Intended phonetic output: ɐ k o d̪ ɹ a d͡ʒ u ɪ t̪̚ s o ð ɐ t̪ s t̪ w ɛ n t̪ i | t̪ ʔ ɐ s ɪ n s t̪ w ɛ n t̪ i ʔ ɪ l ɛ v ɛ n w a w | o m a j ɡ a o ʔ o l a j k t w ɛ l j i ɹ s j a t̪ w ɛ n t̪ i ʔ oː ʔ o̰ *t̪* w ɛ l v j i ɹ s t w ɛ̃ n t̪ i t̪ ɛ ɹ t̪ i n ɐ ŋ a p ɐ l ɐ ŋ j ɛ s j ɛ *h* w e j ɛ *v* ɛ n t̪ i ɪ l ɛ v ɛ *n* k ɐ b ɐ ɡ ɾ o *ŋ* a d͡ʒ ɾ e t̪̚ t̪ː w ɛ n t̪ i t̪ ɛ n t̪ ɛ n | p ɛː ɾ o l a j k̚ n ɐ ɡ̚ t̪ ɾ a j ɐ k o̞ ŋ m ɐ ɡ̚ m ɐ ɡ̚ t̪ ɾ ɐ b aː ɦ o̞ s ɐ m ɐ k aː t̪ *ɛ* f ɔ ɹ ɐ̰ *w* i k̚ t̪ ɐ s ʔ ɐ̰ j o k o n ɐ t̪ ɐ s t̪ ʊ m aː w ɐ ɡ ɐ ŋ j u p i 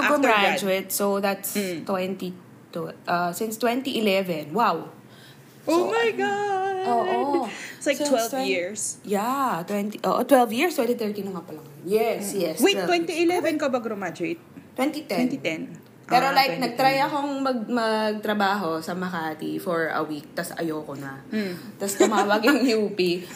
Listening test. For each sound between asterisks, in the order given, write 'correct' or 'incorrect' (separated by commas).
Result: correct, incorrect, incorrect, correct, incorrect, incorrect, correct